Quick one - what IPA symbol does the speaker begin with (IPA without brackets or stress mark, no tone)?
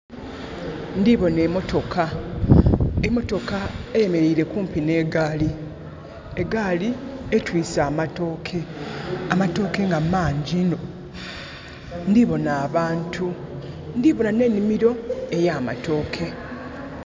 n